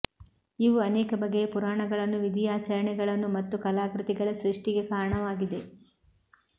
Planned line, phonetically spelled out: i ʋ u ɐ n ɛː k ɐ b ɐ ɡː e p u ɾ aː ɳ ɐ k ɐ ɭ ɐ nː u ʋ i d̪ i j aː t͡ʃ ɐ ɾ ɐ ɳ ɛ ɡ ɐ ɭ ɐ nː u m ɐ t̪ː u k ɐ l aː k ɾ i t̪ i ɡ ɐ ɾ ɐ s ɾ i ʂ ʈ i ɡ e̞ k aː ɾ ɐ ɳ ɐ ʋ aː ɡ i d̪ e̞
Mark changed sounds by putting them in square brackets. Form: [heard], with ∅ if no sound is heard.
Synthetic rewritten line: i ʋ u ɐ n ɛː k ɐ b ɐ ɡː e p u ɾ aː ɳ ɐ [ɡ] ɐ ɭ ɐ nː u ʋ i d̪ i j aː t͡ʃ ɐ ɾ ɐ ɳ ɛ ɡ ɐ ɭ ɐ nː u m ɐ t̪ː u k ɐ l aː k ɾ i t̪ i ɡ ɐ [ɭ] ɐ s ɾ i ʂ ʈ i ɡ e̞ k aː ɾ ɐ ɳ ɐ ʋ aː ɡ i d̪ e̞